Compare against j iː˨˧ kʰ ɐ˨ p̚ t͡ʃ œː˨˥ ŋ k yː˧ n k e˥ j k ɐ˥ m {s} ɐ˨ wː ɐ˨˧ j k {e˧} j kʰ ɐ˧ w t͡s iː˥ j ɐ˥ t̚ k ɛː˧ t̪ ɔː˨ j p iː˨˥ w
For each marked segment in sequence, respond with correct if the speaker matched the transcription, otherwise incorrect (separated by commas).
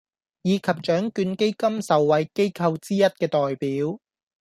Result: correct, incorrect